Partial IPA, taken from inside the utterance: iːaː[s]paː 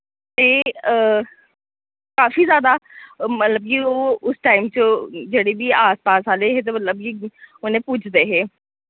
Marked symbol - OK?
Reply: yes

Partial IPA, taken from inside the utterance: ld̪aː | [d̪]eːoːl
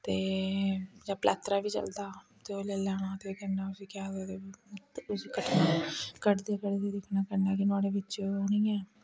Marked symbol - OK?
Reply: no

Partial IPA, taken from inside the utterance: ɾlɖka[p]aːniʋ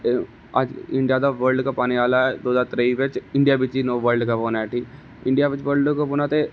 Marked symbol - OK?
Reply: yes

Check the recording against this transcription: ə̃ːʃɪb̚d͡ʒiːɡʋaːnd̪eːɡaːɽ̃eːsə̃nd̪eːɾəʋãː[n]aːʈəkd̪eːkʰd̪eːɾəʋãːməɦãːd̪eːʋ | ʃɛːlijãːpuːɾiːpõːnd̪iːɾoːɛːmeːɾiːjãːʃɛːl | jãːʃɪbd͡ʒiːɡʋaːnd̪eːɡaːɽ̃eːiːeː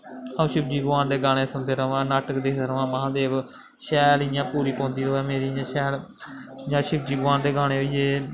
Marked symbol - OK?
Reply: yes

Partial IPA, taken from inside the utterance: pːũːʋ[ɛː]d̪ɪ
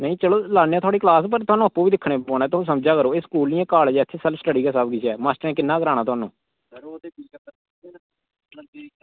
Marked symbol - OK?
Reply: no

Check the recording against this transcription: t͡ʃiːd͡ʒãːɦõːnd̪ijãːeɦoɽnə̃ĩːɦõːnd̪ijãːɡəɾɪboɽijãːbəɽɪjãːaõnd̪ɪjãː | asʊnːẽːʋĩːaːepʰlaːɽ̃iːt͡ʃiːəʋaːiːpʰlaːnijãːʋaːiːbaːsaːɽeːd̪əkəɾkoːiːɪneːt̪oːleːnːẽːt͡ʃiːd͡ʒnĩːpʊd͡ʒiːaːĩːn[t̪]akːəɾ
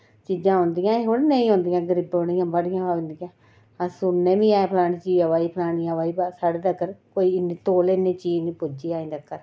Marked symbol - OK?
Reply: no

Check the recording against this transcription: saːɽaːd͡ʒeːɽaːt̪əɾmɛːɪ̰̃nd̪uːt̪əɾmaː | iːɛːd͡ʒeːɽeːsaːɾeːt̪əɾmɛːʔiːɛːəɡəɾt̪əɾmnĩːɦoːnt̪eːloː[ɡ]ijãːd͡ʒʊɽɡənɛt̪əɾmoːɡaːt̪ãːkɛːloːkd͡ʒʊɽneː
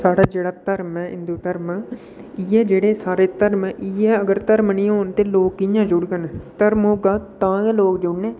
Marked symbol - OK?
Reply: no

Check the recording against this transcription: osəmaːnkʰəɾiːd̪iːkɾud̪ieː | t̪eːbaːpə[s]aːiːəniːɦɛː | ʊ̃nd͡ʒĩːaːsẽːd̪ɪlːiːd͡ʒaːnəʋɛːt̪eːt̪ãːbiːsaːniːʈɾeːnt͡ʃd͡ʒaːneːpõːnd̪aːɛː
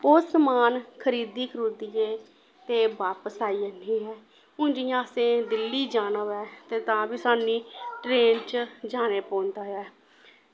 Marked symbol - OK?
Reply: yes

